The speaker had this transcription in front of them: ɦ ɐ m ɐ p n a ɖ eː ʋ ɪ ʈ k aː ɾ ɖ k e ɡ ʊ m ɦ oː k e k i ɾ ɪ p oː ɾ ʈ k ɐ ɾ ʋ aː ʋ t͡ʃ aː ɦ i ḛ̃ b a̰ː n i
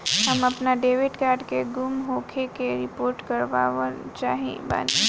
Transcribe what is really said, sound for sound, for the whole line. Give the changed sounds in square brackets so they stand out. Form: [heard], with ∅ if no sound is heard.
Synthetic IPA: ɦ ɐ m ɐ p n a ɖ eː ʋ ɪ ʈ k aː ɾ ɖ k e ɡ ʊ m ɦ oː [kʰ] e k [e] ɾ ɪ p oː ɾ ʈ k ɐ ɾ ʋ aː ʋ t͡ʃ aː ɦ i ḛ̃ b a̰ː n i